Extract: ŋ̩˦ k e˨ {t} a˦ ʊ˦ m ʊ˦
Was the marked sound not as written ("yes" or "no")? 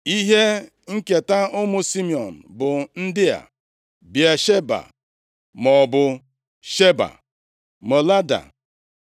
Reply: no